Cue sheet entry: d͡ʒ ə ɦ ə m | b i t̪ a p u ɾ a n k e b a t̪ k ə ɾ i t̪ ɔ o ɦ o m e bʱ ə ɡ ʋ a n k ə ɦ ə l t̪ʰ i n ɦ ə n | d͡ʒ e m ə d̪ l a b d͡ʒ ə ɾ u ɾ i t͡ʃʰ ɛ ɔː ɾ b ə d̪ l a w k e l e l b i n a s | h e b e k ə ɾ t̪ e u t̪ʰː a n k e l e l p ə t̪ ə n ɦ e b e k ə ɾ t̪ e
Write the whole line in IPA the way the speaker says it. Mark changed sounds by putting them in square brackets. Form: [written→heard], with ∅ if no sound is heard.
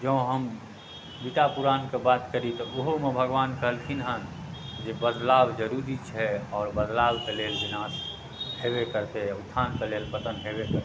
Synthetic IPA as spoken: d͡ʒ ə ɦ ə m | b i t̪ a p u ɾ a n k e b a t̪ k ə ɾ i t̪ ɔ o ɦ o m e bʱ ə ɡ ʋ a n k ə ɦ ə l t̪ʰ i n ɦ ə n | d͡ʒ e [m→b] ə d̪ l a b d͡ʒ ə ɾ u ɾ i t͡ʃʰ ɛ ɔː ɾ b ə d̪ l a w k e l e l b i n a s | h e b e k ə ɾ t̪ e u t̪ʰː a n k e l e l p ə t̪ ə n ɦ e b e k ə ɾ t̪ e